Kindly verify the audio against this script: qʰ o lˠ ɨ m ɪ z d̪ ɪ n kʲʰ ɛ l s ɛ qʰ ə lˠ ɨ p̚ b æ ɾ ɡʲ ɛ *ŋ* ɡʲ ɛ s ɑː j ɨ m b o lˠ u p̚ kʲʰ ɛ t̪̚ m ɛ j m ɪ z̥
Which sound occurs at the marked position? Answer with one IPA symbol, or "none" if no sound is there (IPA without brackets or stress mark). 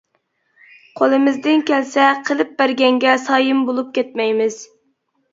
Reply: ŋ